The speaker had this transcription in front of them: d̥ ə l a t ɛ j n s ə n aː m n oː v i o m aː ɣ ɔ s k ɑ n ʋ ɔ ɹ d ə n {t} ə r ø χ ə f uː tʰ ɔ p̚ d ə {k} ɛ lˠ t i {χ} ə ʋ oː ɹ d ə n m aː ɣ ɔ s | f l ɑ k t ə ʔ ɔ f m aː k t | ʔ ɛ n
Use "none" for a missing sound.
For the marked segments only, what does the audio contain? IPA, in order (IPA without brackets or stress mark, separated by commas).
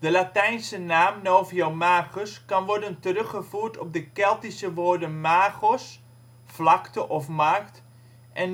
t, k, s